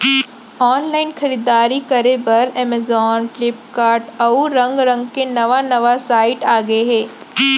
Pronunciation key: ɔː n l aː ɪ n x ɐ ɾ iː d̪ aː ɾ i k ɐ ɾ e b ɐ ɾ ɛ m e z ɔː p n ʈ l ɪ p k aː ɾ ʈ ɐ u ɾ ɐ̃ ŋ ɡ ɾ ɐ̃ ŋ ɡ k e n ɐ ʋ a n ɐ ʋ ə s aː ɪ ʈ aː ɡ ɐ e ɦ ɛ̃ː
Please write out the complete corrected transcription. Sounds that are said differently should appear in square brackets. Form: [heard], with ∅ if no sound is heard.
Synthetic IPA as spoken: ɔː n l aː ɪ n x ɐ ɾ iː d̪ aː ɾ i k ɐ ɾ e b ɐ ɾ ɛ m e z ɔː [∅] n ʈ l ɪ p k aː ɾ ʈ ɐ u ɾ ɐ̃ ŋ ɡ ɾ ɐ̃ ŋ ɡ k e n ɐ ʋ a n ɐ ʋ [a] s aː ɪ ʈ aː ɡ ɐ e ɦ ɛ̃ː